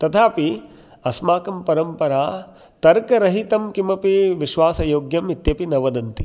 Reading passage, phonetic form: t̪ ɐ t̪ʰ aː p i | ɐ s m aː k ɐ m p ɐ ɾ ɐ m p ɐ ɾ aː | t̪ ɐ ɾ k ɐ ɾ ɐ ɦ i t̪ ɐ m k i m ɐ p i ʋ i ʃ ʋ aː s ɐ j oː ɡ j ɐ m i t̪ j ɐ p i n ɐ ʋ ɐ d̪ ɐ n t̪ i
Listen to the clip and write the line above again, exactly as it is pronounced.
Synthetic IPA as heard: t̪ ɐ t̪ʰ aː p i | ɐ s m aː k ɐ m p ɐ ɾ ɐ m p ɐ ɾ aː | t̪ ɐ ɾ k ɐ ɾ ɐ ɦ i t̪ ɐ m k i m ɐ p i ʋ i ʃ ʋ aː s ɐ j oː ɡ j ɐ m i t̪ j ɐ p i n ɐ ʋ ɐ d̪ ɐ n t̪ i